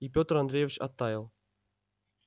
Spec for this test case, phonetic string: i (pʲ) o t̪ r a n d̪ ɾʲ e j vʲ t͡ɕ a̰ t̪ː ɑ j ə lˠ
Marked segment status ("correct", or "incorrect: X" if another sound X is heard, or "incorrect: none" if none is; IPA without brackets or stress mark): correct